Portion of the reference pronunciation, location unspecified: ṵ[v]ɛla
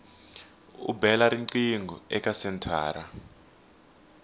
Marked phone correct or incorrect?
incorrect